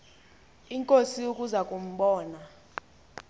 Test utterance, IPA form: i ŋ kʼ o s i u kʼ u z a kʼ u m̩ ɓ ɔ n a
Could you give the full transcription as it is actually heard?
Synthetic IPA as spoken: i ŋ kʼ o s i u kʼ u z a kʼ u m̩ ɓ ɔː n a